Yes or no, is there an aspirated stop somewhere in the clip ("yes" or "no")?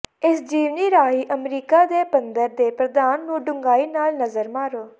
no